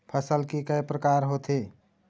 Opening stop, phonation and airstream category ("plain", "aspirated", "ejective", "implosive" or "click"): aspirated